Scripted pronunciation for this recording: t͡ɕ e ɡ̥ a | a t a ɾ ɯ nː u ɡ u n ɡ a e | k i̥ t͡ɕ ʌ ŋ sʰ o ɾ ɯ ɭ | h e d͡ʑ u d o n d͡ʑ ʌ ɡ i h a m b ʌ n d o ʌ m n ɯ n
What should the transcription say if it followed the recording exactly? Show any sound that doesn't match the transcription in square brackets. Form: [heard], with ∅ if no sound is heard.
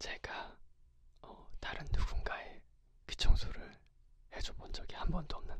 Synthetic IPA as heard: t͡ɕ e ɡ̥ a | [ʌ] t a ɾ ɯ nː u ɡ u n ɡ a e | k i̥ [t͡ɕʰ] ʌ ŋ sʰ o ɾ ɯ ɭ | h e d͡ʑ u [b] o n d͡ʑ ʌ ɡ i h a m b ʌ n d o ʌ m n ɯ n